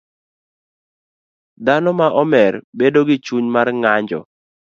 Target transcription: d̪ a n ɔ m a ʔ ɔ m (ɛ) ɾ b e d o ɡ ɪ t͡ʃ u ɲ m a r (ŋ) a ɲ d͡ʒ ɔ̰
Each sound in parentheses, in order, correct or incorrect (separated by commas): correct, correct